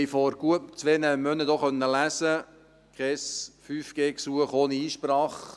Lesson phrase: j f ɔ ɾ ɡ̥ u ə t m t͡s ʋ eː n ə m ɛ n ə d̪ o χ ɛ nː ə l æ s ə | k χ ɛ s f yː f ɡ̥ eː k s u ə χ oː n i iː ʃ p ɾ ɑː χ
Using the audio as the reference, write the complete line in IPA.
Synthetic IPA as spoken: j f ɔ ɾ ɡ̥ u ə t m t͡s ʋ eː n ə m œ n ə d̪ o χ œ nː ə l æ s ə | k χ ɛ s f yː f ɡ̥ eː k s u ə χ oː n i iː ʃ p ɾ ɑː χ